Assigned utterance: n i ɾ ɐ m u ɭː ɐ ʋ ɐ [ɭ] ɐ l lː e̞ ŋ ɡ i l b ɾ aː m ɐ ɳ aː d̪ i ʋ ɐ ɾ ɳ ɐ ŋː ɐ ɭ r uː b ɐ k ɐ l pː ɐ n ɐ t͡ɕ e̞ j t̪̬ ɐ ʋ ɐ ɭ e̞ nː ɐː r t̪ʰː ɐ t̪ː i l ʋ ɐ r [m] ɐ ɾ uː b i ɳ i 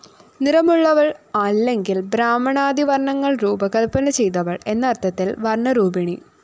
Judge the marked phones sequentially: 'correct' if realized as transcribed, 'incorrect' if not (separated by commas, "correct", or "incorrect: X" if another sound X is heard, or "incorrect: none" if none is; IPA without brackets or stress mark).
correct, incorrect: ɳ